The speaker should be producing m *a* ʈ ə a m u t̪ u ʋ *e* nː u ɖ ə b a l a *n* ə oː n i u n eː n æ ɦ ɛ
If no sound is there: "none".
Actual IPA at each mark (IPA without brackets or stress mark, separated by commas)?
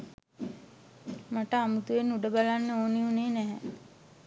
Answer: a, e, nː